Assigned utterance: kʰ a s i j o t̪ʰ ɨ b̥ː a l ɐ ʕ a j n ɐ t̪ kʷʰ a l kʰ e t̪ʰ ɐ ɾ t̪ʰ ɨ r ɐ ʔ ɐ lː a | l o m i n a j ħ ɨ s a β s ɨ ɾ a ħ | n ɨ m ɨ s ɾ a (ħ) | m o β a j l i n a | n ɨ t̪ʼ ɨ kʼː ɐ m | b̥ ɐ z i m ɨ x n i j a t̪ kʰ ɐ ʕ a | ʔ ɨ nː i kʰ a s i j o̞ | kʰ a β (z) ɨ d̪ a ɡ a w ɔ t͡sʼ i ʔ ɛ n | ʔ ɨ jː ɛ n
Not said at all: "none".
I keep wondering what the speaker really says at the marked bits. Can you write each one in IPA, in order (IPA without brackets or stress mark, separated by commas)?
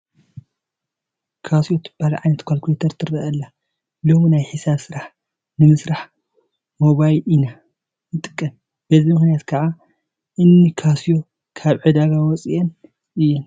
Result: ħ, ʕ